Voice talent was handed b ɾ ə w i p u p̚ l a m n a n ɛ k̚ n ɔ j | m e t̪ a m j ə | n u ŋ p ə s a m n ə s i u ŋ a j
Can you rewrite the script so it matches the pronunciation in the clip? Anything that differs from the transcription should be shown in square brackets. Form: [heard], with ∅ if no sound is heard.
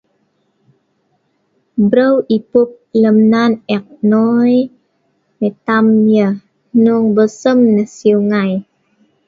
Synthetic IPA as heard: b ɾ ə w i p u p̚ l [ə] m n a n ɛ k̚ n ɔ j | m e t̪ a m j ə | n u ŋ [b] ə s [ə] m n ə s i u ŋ a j